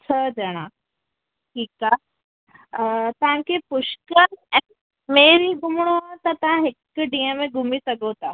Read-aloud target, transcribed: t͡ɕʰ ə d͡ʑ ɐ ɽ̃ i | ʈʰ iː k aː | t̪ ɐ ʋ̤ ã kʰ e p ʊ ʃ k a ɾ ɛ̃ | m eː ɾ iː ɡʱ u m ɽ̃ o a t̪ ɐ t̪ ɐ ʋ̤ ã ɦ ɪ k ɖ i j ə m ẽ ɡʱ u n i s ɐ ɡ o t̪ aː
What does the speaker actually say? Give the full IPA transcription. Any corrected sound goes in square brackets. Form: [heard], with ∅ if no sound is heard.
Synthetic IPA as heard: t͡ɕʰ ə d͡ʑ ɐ ɽ̃ [a] | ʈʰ iː k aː | t̪ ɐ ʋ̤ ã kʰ e p ʊ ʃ k [ə] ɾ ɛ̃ | m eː ɾ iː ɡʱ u m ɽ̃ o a t̪ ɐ t̪ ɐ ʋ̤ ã ɦ ɪ k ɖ i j ə m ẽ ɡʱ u [m] i s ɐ ɡ o t̪ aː